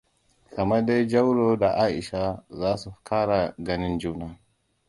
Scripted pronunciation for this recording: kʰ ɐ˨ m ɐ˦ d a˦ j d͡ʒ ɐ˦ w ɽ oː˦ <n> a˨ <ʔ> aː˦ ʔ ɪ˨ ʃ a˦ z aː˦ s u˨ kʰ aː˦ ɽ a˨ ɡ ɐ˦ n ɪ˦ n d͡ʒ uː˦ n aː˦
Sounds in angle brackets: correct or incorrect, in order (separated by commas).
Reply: incorrect, correct